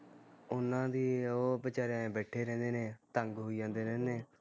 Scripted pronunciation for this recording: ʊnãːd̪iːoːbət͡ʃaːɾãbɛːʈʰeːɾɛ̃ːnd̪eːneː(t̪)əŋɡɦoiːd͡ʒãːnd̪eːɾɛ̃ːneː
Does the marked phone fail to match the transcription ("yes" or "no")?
no